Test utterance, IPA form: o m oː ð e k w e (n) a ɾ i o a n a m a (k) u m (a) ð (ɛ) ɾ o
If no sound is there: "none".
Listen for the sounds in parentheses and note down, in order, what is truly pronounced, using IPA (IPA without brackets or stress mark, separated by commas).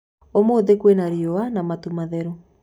n, t, a, ɛ